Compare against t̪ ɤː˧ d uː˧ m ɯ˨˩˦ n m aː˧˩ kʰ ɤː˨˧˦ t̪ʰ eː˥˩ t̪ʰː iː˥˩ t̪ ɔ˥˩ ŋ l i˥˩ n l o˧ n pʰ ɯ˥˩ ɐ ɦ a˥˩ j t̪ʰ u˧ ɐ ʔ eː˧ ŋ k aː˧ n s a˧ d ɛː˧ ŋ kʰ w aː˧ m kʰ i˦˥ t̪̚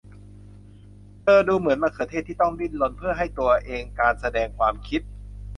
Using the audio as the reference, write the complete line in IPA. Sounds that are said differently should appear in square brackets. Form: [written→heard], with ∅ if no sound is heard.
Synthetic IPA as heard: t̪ ɤː˧ d uː˧ m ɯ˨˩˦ n m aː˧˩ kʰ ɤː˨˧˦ t̪ʰ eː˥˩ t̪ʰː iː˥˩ t̪ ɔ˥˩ ŋ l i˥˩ n l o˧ n pʰ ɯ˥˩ ɐ ɦ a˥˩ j [t̪ʰ→t̪] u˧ ɐ ʔ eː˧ ŋ k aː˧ n s a˧ d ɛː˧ ŋ kʰ w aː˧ m kʰ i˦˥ t̪̚